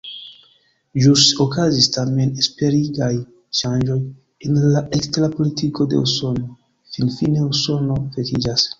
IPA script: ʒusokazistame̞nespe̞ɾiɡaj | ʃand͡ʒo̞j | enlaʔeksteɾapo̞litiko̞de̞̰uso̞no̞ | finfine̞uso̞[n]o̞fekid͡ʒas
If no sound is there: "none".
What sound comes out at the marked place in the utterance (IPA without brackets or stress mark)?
n